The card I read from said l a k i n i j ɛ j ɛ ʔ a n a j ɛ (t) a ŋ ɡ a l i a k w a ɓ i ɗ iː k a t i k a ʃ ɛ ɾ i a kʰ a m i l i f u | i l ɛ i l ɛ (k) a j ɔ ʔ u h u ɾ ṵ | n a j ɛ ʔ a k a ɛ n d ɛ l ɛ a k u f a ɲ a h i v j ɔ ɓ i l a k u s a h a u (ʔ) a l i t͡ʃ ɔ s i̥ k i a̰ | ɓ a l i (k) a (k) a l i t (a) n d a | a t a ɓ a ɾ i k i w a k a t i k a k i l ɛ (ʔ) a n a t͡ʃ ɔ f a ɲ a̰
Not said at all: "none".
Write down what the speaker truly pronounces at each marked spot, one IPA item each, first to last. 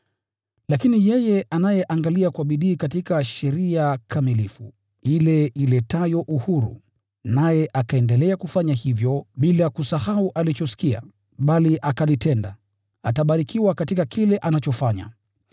ʔ, t, ʔ, ʔ, k, ɛ, ʔ

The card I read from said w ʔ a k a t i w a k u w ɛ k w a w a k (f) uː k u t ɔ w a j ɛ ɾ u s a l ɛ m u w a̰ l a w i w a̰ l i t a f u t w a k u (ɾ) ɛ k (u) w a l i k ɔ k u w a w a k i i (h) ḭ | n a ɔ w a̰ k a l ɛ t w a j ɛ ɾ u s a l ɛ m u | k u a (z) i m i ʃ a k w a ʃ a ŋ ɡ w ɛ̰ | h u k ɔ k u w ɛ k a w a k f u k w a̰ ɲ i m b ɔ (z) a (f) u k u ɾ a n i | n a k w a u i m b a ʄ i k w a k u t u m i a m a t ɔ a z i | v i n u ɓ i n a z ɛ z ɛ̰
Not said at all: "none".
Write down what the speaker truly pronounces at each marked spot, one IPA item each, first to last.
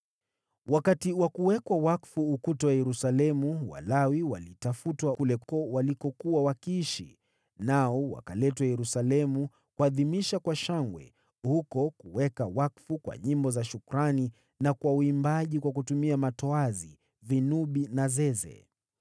f, l, ɔ, ʃ, ð, z, ʃ

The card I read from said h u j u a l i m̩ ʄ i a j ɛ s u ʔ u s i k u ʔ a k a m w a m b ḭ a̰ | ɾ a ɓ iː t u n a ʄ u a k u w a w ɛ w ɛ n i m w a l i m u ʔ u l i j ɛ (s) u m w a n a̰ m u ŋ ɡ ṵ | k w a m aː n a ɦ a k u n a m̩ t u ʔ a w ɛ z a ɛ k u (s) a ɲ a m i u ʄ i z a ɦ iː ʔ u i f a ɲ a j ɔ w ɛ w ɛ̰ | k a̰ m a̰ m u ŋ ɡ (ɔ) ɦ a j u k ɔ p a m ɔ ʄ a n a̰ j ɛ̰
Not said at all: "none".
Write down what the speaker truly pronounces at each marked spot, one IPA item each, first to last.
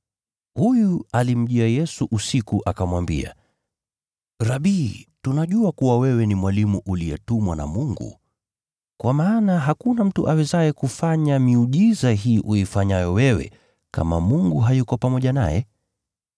t, f, u

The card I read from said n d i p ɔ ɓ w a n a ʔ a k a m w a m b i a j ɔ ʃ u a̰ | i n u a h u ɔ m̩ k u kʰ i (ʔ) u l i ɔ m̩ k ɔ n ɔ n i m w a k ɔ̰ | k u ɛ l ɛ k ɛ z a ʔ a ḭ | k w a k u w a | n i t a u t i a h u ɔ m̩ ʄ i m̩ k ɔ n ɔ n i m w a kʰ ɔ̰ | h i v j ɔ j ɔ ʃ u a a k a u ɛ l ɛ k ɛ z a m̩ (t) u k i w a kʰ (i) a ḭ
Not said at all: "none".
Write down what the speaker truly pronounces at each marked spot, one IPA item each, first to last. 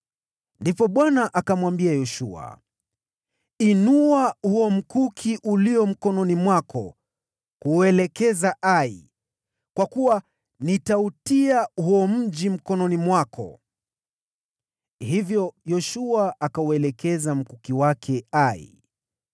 ʔ, k, ɛ

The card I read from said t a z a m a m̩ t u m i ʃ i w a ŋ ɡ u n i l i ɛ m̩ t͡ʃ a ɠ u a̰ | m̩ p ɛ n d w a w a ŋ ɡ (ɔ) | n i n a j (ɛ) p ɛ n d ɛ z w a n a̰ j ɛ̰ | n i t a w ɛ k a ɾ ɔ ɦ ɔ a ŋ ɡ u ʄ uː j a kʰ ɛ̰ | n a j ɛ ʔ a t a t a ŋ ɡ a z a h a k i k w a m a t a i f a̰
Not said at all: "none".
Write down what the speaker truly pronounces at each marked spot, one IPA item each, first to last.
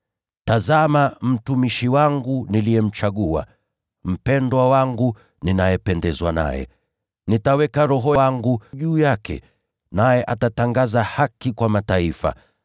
u, ɛ

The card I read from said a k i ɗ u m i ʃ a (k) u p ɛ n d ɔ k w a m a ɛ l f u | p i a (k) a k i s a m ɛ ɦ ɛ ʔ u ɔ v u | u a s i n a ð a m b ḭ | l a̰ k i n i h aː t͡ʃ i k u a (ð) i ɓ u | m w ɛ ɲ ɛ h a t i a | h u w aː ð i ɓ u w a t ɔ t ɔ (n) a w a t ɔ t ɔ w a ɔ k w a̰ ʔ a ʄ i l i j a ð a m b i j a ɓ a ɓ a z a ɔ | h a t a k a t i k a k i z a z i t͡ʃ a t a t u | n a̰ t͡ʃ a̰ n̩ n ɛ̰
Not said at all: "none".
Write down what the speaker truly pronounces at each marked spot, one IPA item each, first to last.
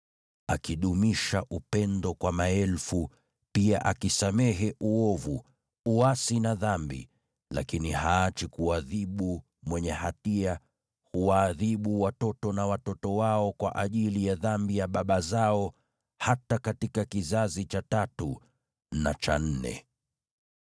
ʔ, ʔ, ð, n

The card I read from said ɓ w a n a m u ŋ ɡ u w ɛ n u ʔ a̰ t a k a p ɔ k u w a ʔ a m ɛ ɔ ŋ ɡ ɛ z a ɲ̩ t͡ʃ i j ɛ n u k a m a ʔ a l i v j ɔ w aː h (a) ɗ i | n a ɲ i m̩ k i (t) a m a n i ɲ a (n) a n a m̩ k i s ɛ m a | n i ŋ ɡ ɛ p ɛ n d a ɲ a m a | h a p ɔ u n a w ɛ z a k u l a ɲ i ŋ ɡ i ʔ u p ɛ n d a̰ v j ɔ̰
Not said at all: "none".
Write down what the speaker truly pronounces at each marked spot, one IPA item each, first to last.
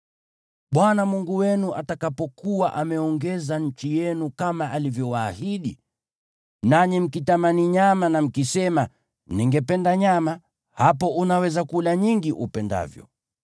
i, t, m

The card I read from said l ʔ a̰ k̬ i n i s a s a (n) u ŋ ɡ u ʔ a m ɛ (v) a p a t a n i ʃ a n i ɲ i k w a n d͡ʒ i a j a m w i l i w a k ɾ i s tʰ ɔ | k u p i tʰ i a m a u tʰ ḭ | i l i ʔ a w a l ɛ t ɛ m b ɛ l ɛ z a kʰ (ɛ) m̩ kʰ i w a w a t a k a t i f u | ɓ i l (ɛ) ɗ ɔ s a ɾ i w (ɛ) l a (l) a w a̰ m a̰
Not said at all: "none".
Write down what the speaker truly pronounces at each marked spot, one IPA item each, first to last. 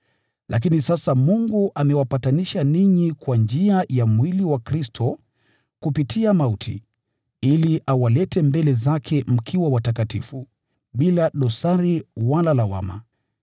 m, w, ɛ, a, a, l

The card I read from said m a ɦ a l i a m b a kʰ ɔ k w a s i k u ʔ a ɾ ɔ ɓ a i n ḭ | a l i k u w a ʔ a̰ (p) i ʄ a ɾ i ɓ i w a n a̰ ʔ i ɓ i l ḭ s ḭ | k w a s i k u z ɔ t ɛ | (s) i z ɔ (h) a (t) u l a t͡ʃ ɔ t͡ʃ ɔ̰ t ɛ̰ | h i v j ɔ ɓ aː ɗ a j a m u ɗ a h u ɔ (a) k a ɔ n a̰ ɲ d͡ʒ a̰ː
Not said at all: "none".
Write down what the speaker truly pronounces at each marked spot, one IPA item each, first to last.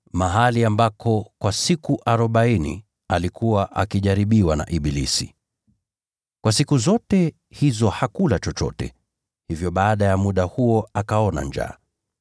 k, h, h, k, a

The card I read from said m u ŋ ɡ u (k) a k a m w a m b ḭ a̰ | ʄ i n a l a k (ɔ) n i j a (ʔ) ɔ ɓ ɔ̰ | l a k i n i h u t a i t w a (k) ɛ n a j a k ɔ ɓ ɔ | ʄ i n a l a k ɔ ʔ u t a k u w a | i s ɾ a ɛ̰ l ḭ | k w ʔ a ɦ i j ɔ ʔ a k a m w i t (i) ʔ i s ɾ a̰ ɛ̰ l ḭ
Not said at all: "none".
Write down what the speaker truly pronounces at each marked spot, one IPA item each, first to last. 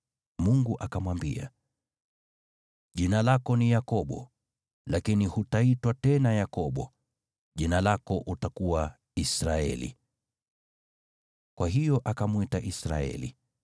ʔ, ɔ, k, t, a

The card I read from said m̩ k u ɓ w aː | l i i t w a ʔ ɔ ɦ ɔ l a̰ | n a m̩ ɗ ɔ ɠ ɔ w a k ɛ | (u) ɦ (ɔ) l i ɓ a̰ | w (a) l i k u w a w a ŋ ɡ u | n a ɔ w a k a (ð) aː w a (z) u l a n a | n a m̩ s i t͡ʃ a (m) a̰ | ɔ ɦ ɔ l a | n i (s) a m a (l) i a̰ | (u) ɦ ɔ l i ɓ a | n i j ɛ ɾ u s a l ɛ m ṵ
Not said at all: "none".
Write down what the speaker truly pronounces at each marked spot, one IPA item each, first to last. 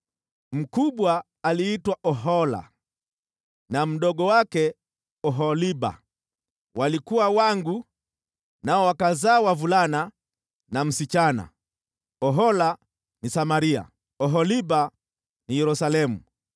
ɔ, ɔ, a, z, v, n, s, ɾ, ɔ

